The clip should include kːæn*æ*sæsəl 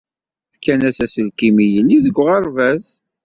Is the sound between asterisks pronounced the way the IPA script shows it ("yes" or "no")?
yes